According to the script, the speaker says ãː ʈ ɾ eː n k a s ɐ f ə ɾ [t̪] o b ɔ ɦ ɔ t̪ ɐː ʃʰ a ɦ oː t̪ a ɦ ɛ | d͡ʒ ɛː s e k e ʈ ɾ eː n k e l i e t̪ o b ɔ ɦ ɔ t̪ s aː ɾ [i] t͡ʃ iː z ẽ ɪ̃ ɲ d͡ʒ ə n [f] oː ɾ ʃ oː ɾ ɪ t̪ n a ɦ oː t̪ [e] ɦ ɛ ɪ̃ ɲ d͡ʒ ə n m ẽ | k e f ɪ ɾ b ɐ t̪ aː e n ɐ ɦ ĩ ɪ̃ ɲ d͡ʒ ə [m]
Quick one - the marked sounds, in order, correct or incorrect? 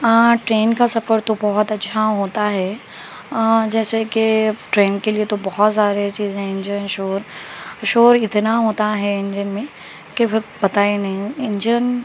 correct, incorrect: e, incorrect: ʃ, incorrect: a, incorrect: n

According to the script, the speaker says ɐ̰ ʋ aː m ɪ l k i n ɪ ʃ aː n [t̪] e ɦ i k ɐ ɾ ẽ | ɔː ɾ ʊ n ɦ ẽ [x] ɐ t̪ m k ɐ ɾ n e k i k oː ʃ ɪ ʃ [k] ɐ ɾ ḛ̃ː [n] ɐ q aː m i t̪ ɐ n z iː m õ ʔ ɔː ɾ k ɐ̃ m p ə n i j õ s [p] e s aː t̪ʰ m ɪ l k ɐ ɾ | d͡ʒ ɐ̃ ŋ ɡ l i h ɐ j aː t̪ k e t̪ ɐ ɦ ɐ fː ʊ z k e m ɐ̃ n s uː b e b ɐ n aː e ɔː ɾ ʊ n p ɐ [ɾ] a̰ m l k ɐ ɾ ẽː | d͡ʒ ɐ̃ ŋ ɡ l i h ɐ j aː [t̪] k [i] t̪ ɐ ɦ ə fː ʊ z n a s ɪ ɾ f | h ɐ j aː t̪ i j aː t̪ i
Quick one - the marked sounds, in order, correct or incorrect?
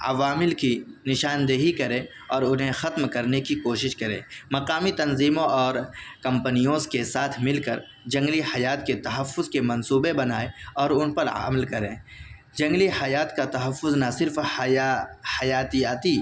incorrect: d̪, correct, correct, incorrect: m, incorrect: k, correct, correct, incorrect: a

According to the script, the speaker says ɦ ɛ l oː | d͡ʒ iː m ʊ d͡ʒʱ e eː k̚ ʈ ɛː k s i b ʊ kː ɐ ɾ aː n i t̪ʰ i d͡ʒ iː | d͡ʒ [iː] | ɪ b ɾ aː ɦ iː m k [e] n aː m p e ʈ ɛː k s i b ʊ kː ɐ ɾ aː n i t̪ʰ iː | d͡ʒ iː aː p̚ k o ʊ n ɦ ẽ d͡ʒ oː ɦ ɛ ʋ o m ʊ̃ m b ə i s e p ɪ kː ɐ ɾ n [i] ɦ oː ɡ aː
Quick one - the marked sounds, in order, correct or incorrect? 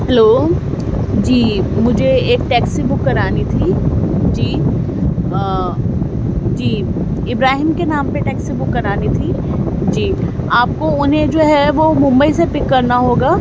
correct, correct, incorrect: a

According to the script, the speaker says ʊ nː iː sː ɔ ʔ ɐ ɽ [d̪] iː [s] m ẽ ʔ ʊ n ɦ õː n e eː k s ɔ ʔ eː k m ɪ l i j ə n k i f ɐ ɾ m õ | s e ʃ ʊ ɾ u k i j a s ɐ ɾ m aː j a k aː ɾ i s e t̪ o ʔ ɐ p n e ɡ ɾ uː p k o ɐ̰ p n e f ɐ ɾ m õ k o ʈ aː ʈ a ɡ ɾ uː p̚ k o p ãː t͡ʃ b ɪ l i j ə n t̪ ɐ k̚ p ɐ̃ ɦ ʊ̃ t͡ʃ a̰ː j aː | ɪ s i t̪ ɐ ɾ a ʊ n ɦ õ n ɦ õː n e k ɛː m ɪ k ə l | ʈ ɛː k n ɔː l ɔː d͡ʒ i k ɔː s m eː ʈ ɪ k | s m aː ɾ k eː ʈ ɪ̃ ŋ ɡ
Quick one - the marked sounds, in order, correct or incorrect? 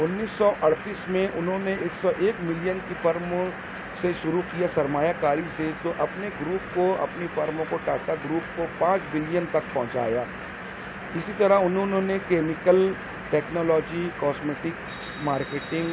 incorrect: t̪, correct

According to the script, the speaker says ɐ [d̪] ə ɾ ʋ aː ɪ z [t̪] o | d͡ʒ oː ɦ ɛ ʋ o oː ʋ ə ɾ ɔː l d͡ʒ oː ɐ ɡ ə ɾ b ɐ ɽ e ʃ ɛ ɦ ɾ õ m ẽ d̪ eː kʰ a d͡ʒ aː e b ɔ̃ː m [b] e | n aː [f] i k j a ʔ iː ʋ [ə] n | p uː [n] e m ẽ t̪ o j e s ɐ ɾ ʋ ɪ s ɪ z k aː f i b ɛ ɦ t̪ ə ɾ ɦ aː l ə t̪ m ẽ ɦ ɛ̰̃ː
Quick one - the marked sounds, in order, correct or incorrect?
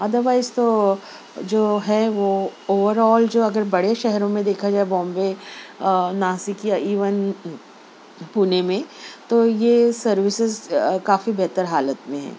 correct, correct, correct, incorrect: s, correct, correct

